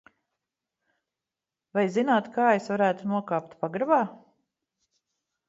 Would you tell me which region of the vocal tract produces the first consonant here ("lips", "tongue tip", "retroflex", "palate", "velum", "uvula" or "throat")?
lips